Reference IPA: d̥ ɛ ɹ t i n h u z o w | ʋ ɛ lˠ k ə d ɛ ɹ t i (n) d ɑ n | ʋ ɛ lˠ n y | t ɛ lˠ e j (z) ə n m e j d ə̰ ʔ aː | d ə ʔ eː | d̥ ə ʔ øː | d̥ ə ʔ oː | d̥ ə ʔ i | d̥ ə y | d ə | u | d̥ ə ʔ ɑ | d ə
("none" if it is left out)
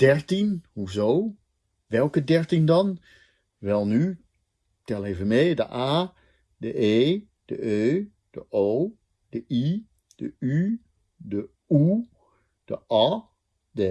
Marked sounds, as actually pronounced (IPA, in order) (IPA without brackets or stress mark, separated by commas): n, v